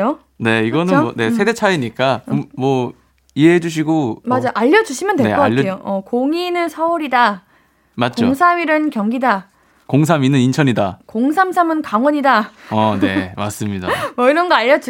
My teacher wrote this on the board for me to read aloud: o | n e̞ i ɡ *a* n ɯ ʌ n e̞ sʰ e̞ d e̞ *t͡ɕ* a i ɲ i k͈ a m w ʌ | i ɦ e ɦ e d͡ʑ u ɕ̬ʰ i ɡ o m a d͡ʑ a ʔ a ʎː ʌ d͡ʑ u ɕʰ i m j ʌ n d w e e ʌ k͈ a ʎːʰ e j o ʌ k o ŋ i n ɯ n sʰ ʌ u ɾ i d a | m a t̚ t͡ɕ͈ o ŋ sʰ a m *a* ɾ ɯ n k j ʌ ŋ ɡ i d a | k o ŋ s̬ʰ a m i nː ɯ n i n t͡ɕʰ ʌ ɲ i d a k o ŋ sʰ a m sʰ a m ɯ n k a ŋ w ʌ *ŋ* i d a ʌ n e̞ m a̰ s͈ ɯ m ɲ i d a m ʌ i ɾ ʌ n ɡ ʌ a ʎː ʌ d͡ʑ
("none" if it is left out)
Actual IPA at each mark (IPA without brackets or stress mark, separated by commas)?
ʌ, t͡ɕʰ, i, ɲ